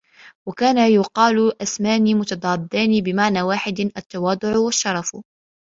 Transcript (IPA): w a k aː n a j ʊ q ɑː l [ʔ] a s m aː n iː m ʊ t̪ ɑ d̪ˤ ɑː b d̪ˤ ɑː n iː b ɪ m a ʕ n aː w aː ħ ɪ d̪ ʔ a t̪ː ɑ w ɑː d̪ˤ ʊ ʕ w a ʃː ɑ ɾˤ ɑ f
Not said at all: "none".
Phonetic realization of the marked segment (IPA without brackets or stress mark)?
ʔ